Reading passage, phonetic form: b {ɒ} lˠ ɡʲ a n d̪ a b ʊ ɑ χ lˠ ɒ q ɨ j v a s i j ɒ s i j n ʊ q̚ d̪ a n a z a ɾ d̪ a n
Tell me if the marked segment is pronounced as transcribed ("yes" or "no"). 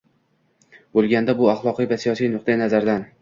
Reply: no